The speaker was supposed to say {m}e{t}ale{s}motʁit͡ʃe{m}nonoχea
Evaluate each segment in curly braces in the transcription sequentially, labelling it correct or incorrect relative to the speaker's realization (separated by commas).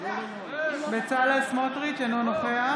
incorrect, incorrect, correct, incorrect